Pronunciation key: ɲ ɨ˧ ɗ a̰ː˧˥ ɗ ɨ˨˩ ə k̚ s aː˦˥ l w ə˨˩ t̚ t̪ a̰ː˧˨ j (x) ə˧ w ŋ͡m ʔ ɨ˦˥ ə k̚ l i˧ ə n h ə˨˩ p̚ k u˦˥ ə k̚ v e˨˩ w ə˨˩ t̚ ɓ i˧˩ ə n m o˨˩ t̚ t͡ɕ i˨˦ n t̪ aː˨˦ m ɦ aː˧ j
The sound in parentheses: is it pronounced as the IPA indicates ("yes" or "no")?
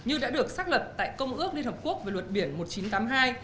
no